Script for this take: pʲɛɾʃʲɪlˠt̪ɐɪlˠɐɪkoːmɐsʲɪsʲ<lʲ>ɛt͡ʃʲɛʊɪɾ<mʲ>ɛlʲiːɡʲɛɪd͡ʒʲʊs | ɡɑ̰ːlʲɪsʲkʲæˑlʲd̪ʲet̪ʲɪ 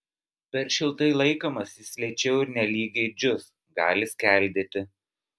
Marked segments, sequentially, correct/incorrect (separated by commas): correct, incorrect